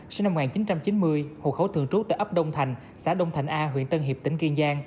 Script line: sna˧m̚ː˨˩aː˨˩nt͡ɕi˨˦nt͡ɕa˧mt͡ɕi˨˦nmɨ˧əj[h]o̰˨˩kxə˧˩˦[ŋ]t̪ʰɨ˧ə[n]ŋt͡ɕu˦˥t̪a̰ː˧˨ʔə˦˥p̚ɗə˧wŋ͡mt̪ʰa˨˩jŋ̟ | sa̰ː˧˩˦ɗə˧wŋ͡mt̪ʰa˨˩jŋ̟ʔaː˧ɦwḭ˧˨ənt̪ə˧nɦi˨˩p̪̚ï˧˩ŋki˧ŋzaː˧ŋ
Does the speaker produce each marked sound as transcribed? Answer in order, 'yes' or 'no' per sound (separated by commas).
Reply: yes, no, no